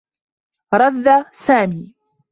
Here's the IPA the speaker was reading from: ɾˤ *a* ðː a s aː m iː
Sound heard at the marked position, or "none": ɑ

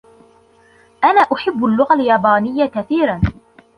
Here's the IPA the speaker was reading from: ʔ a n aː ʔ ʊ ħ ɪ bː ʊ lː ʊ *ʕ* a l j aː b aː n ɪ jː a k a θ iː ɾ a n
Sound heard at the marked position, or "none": ɣ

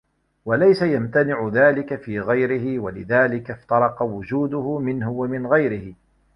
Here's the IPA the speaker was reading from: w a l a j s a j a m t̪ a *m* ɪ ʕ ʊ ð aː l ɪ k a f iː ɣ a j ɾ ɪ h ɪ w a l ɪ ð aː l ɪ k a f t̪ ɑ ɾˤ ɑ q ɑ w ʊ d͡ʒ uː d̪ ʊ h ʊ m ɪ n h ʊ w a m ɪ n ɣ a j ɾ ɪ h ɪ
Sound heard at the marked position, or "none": n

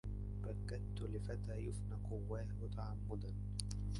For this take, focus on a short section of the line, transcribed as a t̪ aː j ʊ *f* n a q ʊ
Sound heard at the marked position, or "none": f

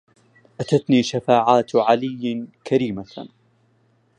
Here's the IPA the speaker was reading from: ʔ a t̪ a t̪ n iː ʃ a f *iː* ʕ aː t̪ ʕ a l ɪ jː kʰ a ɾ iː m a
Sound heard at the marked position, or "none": aː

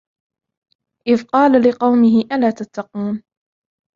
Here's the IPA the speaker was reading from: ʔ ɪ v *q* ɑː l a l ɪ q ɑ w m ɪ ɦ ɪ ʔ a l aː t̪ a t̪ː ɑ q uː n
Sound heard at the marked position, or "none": q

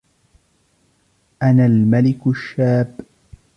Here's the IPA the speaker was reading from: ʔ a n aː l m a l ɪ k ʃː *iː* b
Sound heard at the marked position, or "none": aː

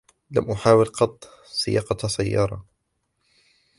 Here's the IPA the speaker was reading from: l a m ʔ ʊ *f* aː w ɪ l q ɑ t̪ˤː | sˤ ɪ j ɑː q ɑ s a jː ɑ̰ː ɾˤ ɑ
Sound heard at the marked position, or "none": ħ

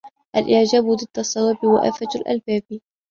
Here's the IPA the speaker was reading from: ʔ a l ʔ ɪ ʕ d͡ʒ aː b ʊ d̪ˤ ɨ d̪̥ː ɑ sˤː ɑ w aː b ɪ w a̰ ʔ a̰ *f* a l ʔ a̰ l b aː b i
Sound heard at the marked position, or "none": f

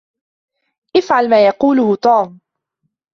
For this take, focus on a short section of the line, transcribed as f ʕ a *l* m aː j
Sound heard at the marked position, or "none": l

